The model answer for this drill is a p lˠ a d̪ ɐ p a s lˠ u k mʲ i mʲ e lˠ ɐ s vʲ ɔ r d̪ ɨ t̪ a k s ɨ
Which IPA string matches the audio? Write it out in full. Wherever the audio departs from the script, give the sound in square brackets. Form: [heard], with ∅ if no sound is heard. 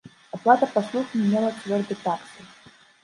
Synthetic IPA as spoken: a p lˠ a [t̪] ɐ p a s lˠ u [x] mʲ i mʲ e lˠ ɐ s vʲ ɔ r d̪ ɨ t̪ a k s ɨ